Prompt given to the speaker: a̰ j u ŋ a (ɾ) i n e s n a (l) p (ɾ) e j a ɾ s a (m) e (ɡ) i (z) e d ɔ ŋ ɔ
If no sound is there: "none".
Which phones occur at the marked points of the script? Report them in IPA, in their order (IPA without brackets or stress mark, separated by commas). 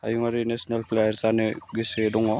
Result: ɾ, l, l, n, ɡ, s